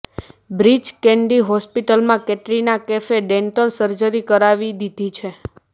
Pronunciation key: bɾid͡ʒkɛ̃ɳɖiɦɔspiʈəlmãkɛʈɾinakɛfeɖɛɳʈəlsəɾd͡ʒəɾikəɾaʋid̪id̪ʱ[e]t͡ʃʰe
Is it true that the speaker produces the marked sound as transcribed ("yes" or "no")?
no